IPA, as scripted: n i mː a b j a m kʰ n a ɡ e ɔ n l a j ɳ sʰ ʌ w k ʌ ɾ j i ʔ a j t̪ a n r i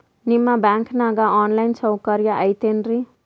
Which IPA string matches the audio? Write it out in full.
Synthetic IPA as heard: n i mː a b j a ŋ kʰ n a ɡ a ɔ n l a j n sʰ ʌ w k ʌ ɾ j a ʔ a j t̪ e n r i